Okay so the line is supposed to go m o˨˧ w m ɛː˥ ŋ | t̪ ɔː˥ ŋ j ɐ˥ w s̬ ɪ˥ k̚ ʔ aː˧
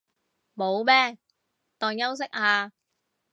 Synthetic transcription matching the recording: m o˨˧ w m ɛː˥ | t̪ ɔː˨ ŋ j ɐ˥ w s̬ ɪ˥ k̚ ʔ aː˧